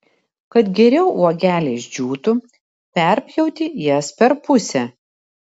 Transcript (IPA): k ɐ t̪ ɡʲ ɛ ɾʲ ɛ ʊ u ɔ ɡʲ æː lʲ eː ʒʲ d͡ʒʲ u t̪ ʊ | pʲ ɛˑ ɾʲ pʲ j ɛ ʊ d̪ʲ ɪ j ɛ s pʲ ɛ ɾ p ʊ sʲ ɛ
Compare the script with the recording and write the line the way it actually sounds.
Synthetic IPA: k ɐ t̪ ɡʲ ɛ ɾʲ ɛ ʊ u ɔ ɡʲ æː lʲ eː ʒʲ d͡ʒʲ uː t̪ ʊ | pʲ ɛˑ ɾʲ pʲ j ɛ ʊ t̪ʲ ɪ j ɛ s pʲ ɛ ɾ p ʊ sʲ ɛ